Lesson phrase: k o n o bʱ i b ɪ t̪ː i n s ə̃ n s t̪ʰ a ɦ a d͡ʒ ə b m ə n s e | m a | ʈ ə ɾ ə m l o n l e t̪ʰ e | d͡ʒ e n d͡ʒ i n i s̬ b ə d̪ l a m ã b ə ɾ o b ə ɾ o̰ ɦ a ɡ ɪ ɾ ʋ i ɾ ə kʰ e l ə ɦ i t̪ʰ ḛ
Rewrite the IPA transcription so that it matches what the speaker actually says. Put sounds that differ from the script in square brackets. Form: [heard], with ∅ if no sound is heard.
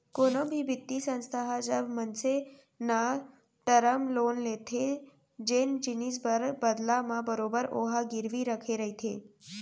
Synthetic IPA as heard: k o n o bʱ i b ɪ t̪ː i [∅] s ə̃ n s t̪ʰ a ɦ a d͡ʒ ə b m ə n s e | [n] a | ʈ ə ɾ ə m l o n l e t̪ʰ e | d͡ʒ e n d͡ʒ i n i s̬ b ə d̪ l a m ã b ə ɾ o b ə ɾ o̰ ɦ a ɡ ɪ ɾ ʋ i ɾ ə kʰ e [ɾ] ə ɦ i t̪ʰ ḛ